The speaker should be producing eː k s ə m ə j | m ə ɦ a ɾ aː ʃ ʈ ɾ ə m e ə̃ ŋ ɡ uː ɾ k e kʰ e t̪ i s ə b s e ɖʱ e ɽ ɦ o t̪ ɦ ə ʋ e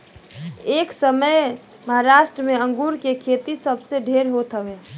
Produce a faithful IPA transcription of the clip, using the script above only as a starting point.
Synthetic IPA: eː k s ə m ə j | m ə ɦ a ɾ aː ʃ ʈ ɾ ə m e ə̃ ŋ ɡ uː ɾ k e kʰ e t̪ i s ə b s e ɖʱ e ɾ ɦ o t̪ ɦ ə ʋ e